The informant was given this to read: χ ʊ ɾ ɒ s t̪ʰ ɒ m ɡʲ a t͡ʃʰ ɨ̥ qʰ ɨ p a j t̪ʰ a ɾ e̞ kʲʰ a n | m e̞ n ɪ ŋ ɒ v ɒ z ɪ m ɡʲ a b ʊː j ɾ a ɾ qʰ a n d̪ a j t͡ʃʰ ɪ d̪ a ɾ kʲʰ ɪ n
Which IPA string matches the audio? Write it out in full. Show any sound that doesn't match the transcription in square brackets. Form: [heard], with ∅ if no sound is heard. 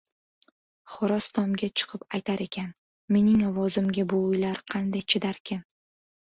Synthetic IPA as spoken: χ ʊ ɾ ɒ s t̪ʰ ɒ m ɡʲ a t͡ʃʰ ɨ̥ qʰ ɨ p a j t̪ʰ a ɾ e̞ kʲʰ a n | m e̞ n ɪ ŋ ɒ v ɒ z ɪ m ɡʲ a b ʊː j [l] a ɾ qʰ [ɑ] n d̪ a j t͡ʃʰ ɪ d̪ a ɾ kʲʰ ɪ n